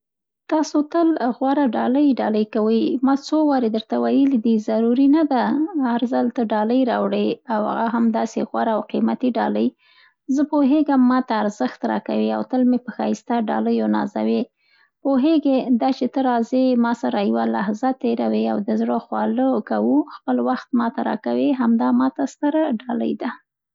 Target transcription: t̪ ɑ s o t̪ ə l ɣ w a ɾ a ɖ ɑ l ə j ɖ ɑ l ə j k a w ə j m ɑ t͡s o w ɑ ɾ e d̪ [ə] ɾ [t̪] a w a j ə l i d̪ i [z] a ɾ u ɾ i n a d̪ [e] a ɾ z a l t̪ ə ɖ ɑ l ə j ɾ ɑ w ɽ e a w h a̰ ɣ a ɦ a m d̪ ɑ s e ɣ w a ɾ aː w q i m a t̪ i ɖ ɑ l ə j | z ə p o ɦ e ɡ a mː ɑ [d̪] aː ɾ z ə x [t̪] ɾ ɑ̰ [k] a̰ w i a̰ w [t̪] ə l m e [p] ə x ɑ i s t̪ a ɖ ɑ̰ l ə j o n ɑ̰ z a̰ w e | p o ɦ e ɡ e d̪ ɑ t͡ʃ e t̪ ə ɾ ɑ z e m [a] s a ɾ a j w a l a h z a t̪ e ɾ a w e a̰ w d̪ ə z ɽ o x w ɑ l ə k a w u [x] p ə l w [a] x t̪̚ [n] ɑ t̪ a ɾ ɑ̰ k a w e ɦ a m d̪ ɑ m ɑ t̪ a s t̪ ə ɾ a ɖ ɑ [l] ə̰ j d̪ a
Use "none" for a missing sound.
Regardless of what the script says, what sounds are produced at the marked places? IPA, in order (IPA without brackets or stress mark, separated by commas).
ə, t̪, z, a, t̪, t̪, k, t̪, p, ɑ, x, a, m, l